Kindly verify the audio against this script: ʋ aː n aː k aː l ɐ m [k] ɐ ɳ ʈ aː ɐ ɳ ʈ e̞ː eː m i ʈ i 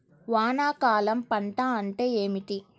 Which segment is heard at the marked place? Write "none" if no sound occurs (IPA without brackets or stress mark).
p